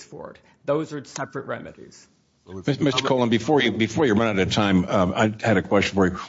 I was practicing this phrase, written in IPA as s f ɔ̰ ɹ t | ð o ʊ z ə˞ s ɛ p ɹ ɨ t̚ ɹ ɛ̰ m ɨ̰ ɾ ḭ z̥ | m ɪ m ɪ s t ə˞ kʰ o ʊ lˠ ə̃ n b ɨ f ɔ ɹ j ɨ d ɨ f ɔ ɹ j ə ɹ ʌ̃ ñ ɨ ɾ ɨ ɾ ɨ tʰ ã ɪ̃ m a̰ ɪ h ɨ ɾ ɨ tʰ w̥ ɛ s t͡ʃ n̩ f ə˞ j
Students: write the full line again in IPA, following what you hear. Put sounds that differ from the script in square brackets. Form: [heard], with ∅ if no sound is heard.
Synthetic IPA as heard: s f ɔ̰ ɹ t | ð o ʊ z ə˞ s ɛ p ɹ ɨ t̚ ɹ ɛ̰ m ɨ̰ ɾ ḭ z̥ | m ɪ m ɪ s t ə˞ kʰ o ʊ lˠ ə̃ n b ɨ f ɔ ɹ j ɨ [b] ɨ f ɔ ɹ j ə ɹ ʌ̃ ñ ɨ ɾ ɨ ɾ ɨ tʰ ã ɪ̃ m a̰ ɪ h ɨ ɾ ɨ [kʰ] w̥ ɛ s t͡ʃ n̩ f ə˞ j